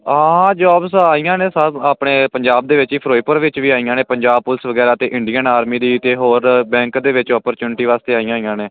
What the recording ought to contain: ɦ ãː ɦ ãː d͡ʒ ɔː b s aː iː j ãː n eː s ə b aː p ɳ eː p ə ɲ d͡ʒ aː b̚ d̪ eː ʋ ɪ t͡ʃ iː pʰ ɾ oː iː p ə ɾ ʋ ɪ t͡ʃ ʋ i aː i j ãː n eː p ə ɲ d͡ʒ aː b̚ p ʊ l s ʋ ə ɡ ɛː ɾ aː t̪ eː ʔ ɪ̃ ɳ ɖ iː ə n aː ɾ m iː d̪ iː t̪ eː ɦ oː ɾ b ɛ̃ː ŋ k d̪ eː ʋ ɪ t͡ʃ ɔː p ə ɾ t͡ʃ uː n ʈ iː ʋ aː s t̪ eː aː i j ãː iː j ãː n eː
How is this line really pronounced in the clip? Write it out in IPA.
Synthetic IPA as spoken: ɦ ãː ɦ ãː d͡ʒ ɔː b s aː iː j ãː n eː s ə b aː p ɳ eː p ə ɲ d͡ʒ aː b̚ d̪ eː ʋ ɪ t͡ʃ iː pʰ ɾ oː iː p ə ɾ ʋ ɪ t͡ʃ ʋ iː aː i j ãː n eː p ə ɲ d͡ʒ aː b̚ p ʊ l s ʋ ə ɡ ɛː ɾ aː t̪ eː ʔ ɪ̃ ɳ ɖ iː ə n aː ɾ m iː d̪ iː t̪ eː ɦ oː ɾ b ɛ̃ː ŋ k d̪ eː ʋ ɪ t͡ʃ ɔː p ə ɾ t͡ʃ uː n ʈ iː ʋ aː s t̪ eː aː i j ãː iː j ãː n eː